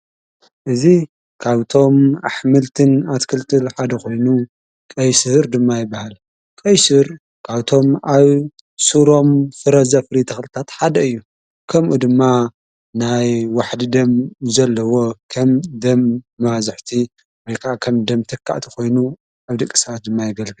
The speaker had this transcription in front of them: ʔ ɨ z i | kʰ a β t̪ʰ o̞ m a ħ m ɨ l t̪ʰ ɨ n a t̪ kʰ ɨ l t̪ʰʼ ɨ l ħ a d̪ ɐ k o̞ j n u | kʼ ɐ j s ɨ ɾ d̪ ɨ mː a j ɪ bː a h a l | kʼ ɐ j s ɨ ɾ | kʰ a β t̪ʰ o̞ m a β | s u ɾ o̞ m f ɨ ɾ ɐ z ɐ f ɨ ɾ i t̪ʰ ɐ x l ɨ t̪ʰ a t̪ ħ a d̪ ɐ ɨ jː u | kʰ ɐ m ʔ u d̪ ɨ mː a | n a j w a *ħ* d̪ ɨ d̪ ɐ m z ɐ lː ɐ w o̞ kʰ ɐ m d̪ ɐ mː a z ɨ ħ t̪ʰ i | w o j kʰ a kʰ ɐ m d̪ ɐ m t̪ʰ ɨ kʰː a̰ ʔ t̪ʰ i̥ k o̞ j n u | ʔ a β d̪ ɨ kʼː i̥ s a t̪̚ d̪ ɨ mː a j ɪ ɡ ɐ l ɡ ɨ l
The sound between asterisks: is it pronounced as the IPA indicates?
yes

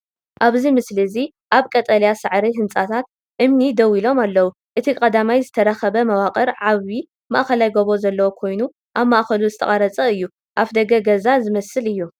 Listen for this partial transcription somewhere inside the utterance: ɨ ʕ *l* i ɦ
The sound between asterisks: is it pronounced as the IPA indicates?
no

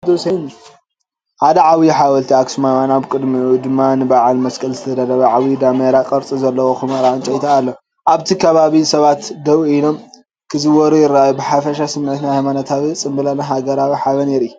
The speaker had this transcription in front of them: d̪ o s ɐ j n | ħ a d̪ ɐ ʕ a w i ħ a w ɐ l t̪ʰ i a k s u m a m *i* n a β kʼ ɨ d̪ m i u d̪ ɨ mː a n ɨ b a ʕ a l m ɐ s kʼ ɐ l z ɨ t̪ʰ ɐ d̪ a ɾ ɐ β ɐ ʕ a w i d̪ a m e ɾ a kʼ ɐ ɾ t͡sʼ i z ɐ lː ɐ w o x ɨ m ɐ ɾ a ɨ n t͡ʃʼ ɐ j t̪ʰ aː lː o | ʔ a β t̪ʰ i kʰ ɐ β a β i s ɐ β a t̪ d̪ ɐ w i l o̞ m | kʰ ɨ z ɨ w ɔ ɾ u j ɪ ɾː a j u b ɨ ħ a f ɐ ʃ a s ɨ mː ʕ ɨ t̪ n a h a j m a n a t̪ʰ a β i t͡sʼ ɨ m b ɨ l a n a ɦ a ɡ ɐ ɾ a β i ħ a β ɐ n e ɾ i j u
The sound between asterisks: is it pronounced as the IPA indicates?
no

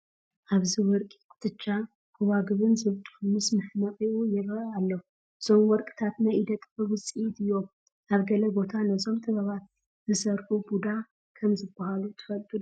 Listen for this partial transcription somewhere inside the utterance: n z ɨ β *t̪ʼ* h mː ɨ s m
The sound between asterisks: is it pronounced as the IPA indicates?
yes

